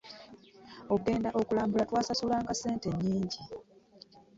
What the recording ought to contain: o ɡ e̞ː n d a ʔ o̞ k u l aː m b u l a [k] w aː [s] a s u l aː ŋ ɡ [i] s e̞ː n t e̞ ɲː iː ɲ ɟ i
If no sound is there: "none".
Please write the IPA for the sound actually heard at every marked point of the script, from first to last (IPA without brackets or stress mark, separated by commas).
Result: t, s, a